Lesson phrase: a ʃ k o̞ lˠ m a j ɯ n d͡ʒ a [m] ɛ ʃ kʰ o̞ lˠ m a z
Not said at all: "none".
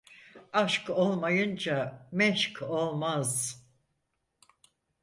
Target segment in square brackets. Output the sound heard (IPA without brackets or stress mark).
m